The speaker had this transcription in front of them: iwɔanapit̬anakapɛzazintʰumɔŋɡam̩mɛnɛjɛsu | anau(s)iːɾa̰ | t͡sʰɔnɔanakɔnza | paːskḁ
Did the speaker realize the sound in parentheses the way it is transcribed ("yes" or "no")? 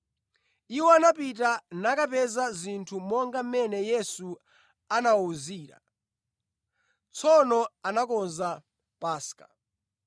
no